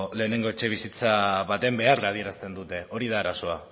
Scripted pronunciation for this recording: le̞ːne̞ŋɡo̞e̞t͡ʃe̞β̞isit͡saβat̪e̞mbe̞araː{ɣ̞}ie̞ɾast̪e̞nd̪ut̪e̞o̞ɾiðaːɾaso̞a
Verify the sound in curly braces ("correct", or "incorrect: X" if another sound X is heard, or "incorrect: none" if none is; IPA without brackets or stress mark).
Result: incorrect: ð̞